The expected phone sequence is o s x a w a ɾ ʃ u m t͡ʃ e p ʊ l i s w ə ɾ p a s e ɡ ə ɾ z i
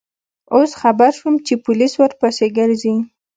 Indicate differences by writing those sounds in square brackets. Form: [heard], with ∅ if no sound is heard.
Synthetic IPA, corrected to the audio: o s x a [b] a ɾ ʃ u m t͡ʃ e p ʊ l i s w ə ɾ p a s e ɡ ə ɾ z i